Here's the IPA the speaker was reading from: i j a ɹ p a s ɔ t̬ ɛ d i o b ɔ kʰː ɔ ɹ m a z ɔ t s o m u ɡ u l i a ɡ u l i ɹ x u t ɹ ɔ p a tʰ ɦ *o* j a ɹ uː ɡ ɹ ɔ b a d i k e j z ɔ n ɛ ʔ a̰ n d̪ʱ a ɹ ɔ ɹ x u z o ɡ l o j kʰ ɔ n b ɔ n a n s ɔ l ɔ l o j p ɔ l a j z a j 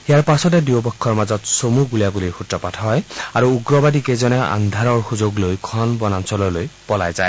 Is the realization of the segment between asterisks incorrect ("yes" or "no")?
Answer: yes